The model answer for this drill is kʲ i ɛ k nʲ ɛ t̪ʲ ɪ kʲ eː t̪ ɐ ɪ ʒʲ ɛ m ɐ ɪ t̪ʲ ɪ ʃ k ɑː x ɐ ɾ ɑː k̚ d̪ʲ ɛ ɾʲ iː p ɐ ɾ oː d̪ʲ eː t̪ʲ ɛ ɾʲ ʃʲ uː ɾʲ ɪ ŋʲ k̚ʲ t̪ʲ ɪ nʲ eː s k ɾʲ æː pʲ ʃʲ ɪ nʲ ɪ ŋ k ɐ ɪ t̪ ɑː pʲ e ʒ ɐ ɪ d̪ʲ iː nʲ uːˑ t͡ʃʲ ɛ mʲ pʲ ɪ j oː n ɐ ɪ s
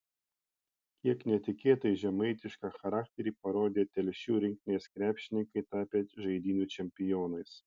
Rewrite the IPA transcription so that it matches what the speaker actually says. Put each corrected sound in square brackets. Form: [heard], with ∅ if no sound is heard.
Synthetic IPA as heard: kʲ i ɛ k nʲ ɛ t̪ʲ ɪ kʲ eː t̪ ɐ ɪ ʒʲ ɛ m ɐ ɪ t̪ʲ ɪ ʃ k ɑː x ɐ ɾ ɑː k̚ [t̪ʲ] ɛ ɾʲ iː p ɐ ɾ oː d̪ʲ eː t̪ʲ ɛ [lʲ] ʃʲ uː ɾʲ ɪ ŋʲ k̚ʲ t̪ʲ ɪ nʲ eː s k ɾʲ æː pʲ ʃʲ ɪ nʲ ɪ ŋ k ɐ ɪ t̪ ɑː pʲ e ʒ ɐ ɪ d̪ʲ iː nʲ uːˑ t͡ʃʲ ɛ mʲ pʲ ɪ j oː n ɐ ɪ s